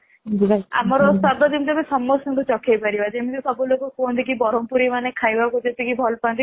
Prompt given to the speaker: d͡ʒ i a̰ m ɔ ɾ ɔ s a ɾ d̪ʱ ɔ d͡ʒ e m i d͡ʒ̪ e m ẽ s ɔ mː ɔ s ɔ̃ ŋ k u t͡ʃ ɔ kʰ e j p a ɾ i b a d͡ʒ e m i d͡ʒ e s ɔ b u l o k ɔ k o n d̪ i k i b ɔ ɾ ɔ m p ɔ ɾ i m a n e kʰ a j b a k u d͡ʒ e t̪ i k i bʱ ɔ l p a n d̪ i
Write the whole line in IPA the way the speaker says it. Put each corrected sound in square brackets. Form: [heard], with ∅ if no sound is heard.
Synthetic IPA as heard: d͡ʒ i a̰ m ɔ ɾ ɔ s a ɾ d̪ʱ ɔ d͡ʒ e m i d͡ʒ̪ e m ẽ s ɔ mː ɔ s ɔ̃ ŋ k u t͡ʃ ɔ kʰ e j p a ɾ i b a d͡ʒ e m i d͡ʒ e s ɔ b u l o k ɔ k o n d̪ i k i b ɔ ɾ ɔ m p [u] ɾ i m a n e kʰ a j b a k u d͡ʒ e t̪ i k i bʱ ɔ l p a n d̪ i

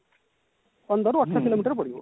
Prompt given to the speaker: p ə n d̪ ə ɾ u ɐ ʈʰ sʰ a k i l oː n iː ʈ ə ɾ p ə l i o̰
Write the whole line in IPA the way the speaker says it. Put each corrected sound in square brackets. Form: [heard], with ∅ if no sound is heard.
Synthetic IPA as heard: p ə n d̪ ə ɾ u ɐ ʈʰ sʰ a k i l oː [m] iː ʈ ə ɾ p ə [ɽ] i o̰

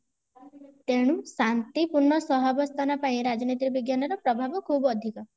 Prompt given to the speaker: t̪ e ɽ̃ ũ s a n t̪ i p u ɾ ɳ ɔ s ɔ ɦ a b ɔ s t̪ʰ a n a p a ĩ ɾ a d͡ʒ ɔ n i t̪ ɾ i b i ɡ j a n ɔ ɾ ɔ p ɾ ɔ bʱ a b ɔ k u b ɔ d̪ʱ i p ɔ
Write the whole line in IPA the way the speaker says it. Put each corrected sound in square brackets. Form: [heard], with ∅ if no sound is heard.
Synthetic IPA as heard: t̪ e ɽ̃ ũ s a n t̪ i p u ɾ ɳ ɔ s ɔ ɦ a b ɔ s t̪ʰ a n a p a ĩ ɾ a d͡ʒ ɔ n i t̪ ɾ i b i ɡ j a n ɔ ɾ ɔ p ɾ ɔ bʱ a b ɔ [kʰ] u b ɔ d̪ʱ i [k] ɔ

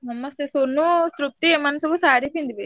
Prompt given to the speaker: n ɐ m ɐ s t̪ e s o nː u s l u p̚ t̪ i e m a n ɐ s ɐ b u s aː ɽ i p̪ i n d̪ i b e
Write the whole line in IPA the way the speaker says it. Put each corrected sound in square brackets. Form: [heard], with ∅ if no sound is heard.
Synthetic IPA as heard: n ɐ m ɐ s t̪ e s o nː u s [ɾ] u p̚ t̪ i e m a n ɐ s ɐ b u s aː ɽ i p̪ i n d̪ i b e

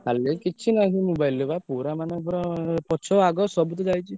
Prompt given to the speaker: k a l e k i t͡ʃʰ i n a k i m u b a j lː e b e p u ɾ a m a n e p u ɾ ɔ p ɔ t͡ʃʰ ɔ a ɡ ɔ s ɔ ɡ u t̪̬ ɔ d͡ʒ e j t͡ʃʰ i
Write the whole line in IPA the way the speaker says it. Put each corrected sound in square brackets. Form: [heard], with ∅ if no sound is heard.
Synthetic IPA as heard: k a l e k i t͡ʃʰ i n a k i m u b a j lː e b [a] p u ɾ a m a n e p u ɾ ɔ p ɔ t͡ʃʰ ɔ a ɡ ɔ s ɔ [b] u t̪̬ ɔ d͡ʒ [a] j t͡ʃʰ i

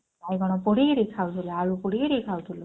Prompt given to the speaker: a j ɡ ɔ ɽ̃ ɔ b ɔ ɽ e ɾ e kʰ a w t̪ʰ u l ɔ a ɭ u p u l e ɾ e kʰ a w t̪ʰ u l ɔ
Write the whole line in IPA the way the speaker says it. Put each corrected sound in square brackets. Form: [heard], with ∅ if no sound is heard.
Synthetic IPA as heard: a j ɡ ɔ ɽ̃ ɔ [p] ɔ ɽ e ɾ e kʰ a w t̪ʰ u l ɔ a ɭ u p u [ɽ] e ɾ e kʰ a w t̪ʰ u l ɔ

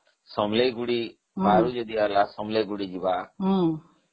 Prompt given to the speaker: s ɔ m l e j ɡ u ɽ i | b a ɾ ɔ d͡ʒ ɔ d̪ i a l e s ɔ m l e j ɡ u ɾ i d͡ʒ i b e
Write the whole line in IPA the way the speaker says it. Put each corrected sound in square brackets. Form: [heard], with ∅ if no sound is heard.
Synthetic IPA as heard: s ɔ m l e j ɡ u ɽ i | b a ɾ [u] d͡ʒ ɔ d̪ i a l [a] s ɔ m l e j ɡ u [ɽ] i d͡ʒ i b [a]

